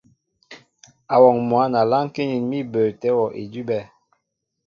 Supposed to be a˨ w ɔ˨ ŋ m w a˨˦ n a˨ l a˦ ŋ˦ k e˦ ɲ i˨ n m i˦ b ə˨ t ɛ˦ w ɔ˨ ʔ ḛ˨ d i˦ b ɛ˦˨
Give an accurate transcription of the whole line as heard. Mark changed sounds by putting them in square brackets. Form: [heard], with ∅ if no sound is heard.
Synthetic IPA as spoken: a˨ w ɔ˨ ŋ m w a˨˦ n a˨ l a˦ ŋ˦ k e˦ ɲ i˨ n m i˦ b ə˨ t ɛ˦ w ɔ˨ ʔ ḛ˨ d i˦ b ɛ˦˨